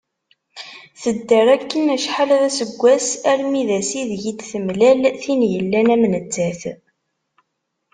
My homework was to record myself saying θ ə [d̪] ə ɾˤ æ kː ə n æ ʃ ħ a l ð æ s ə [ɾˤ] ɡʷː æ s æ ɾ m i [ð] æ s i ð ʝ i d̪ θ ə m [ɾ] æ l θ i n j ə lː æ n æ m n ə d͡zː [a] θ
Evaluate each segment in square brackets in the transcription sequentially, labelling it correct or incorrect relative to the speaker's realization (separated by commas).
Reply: incorrect, incorrect, correct, incorrect, incorrect